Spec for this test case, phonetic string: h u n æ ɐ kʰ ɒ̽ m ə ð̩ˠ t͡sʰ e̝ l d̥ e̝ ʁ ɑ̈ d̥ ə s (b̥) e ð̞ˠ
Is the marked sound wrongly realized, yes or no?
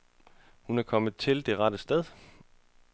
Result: yes